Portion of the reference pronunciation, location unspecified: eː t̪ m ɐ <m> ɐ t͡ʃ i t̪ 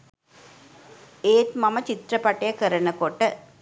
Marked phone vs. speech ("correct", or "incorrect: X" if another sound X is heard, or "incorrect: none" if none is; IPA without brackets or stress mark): correct